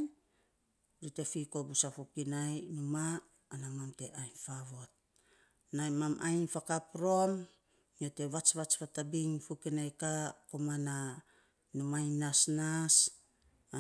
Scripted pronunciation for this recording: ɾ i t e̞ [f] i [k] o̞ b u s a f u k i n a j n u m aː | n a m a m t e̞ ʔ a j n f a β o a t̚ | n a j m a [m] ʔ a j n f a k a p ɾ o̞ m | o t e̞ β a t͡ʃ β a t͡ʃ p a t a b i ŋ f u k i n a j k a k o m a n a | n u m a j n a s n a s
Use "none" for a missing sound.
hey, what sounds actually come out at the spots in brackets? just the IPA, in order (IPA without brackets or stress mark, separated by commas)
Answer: f, k, m